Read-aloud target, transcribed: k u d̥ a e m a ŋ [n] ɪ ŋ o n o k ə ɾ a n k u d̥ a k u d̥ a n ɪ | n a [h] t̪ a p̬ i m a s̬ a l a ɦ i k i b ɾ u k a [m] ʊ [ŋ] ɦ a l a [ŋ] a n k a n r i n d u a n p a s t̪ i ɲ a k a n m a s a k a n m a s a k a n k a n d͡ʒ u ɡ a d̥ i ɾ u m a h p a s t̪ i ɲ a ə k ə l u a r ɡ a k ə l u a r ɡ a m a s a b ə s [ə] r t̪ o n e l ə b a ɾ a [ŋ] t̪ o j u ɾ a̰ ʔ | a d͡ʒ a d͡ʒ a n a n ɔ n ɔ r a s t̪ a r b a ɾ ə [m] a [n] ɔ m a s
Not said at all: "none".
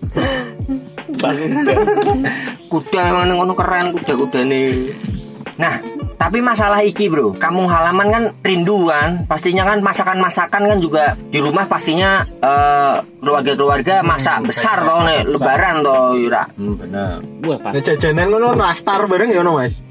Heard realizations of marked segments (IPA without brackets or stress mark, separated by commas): n, h, m, ŋ, m, a, n, ŋ, n